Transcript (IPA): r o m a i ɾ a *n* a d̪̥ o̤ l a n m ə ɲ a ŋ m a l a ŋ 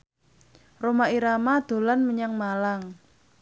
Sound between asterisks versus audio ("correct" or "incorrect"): incorrect